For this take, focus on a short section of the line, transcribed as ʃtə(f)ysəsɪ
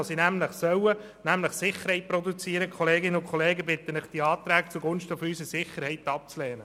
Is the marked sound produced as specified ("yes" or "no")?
yes